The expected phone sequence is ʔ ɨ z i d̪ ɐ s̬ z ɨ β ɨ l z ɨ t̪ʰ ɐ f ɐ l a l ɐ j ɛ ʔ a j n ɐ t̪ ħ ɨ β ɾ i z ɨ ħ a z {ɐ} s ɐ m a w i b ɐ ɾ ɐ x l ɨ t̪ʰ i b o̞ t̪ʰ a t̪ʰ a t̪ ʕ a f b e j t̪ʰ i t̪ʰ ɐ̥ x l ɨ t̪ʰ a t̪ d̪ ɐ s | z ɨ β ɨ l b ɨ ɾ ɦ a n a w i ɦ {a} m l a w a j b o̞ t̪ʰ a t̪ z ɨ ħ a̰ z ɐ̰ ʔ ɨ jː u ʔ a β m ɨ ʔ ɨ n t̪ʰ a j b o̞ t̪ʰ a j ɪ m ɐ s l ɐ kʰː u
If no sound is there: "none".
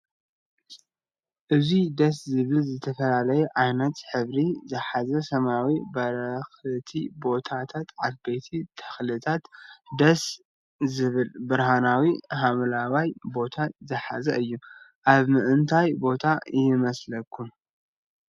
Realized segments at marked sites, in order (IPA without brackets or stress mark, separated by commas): ɐ, a